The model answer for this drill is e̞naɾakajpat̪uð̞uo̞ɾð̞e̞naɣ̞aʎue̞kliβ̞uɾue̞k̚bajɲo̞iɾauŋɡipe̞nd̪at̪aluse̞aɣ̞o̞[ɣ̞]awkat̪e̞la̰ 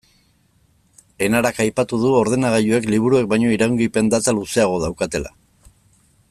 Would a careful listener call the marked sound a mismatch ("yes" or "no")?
yes